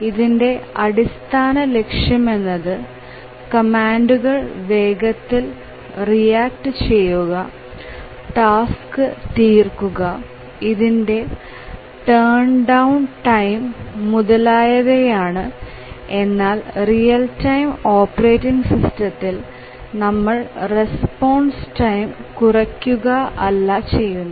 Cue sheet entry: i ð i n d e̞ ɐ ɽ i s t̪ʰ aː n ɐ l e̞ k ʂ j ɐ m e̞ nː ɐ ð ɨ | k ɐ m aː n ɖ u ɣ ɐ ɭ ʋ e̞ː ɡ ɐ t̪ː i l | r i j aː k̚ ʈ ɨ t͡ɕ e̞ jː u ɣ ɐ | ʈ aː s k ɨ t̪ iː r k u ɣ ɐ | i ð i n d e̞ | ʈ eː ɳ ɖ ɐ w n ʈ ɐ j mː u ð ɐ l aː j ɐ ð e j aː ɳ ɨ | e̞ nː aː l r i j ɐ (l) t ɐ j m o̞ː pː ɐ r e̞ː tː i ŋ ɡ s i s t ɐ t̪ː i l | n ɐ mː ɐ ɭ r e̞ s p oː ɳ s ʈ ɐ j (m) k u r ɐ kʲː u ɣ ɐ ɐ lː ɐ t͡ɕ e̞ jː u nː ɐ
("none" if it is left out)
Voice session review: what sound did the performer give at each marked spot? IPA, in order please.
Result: l, m

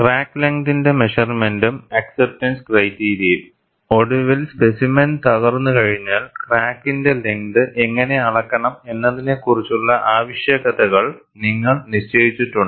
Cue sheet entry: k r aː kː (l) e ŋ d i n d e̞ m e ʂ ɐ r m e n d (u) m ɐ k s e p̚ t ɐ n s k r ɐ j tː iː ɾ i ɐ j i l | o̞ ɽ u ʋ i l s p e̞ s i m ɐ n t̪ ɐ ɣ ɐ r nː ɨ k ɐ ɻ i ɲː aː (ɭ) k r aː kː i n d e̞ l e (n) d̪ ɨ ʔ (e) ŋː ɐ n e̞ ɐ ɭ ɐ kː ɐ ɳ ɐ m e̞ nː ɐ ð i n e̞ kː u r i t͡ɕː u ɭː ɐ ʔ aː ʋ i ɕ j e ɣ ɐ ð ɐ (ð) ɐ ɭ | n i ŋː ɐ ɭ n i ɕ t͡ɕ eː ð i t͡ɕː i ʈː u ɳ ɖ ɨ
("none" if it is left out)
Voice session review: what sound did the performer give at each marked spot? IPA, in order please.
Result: l, u, l, ŋ, e, ɣ

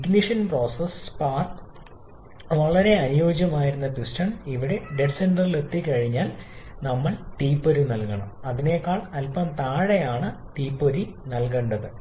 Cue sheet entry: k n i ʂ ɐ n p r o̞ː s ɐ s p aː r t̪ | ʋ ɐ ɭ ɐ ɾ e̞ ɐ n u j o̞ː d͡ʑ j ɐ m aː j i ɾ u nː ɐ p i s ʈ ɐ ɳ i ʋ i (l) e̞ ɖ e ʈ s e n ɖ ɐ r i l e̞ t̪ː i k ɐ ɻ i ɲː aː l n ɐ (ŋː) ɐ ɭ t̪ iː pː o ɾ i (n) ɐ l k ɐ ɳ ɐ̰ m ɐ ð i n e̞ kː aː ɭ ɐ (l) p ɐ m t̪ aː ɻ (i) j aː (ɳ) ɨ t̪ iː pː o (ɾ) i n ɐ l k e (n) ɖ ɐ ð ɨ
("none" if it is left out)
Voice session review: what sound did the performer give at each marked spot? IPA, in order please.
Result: ɽ, mː, n, l, e, ɳ, ɾ, ɳ

